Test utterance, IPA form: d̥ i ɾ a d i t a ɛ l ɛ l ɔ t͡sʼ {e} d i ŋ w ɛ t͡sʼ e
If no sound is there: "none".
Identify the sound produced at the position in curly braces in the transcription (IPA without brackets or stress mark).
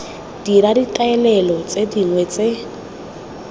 e